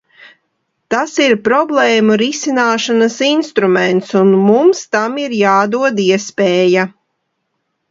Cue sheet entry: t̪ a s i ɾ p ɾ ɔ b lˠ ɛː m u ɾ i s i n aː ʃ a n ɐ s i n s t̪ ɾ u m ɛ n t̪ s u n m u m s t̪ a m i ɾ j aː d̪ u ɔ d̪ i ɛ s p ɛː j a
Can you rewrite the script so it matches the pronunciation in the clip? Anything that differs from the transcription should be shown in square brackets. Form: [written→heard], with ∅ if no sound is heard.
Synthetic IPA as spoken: t̪ a s i ɾ p ɾ ɔ b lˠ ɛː m u ɾ i s i n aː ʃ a n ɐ s i n s t̪ ɾ u m ɛ n t̪ s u n m u m s t̪ a m i ɾ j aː d̪ u ɔ d̪ i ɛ s p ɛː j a

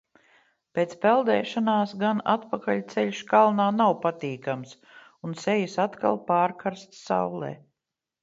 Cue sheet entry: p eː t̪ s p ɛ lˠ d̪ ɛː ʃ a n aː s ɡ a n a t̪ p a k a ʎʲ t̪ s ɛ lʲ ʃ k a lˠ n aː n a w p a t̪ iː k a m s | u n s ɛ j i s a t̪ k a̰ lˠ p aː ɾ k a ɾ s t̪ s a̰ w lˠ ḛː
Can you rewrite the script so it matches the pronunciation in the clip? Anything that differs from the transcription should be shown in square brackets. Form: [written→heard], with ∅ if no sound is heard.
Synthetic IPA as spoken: p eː t̪ s p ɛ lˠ d̪ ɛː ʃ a n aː s ɡ a n a t̪ p a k a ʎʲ t̪ s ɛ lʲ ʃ k a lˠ n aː n a w p a t̪ iː k a m s | u n s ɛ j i s a t̪ k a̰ lˠ p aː ɾ k a ɾ s t̪ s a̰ w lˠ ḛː

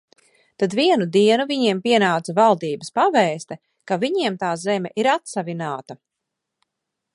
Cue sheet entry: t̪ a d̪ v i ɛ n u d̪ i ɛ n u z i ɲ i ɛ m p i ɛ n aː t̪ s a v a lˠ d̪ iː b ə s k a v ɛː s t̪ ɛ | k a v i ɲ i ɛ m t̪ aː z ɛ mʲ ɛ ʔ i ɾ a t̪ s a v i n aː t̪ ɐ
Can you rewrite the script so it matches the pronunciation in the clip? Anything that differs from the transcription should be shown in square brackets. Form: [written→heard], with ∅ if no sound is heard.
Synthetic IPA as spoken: t̪ a d̪ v i ɛ n u d̪ i ɛ n u [z→v] i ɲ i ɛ m p i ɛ n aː t̪ s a v a lˠ d̪ iː b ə s [k→p] a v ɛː s t̪ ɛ | k a v i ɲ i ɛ m t̪ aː z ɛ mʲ ɛ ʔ i ɾ a t̪ s a v i n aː t̪ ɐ

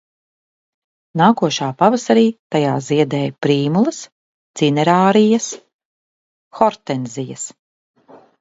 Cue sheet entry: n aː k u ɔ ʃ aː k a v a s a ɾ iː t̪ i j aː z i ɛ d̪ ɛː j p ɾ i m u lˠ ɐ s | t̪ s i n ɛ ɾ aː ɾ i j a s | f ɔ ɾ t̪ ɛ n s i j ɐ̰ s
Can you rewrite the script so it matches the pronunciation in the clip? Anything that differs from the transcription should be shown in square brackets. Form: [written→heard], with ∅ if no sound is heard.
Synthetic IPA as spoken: n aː k u ɔ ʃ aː [k→p] a v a s a ɾ iː t̪ [i→a] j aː z i ɛ d̪ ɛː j p ɾ [i→iː] m u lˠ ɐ s | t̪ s i n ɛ ɾ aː ɾ i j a s | [f→x] ɔ ɾ t̪ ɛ n [s→z] i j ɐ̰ s

